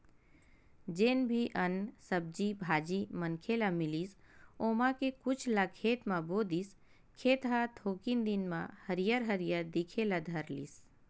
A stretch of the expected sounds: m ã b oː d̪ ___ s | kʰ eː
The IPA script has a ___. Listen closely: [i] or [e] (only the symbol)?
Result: i